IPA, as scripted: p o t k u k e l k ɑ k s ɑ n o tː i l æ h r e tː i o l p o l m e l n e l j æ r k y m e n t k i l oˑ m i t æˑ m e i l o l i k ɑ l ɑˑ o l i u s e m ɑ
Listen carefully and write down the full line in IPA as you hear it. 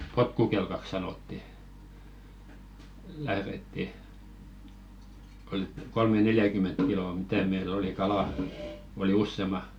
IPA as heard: p o t k u k e l k ɑ k s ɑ n o tː i l æ h r e tː i o l k o l m e n e l j æ k y m e n t k i l oˑ m i t æˑ m e i l o l i k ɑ l ɑˑ o l i u sː e m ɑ